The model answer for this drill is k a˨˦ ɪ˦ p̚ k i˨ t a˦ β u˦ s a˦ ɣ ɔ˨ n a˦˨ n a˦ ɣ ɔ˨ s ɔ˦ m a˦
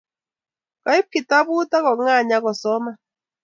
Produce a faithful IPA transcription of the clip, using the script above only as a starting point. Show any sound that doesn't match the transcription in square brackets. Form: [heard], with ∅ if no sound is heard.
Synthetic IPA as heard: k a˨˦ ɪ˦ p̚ k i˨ t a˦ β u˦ [t] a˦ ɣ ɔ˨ [ŋ] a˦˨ [ɲ] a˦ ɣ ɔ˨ s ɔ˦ m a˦